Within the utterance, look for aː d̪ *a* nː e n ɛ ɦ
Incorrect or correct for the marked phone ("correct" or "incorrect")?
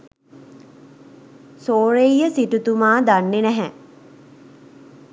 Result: correct